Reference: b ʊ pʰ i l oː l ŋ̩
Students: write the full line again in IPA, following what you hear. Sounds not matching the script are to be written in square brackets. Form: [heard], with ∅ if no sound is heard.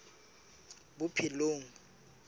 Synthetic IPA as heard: b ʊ pʰ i l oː [∅] ŋ̩